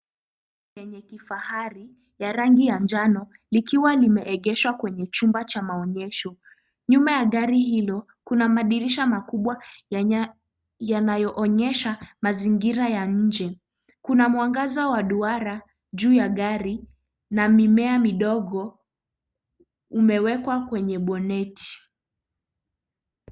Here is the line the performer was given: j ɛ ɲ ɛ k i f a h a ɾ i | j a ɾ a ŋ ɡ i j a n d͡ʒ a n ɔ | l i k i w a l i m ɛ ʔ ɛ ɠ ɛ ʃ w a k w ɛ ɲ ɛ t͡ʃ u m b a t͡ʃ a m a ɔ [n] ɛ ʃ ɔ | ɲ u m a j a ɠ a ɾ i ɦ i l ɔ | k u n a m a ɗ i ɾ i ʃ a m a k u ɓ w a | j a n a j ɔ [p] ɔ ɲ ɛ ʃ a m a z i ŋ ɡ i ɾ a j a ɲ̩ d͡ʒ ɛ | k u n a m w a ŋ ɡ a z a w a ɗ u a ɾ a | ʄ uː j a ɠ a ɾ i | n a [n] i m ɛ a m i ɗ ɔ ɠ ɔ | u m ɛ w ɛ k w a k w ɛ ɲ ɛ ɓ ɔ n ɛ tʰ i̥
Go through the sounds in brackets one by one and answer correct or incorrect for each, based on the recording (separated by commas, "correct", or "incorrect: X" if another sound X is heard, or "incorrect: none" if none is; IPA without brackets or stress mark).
incorrect: ɲ, incorrect: ʔ, incorrect: m